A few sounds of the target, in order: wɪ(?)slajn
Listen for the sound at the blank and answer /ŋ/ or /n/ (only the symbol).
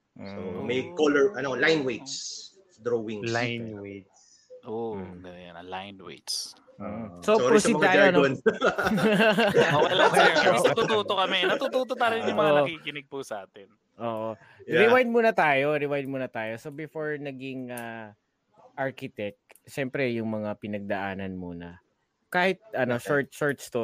ŋ